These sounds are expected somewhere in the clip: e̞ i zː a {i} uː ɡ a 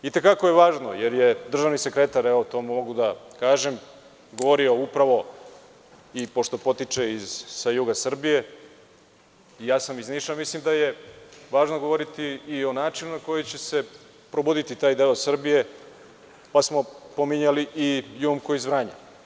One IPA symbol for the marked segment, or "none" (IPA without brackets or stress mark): j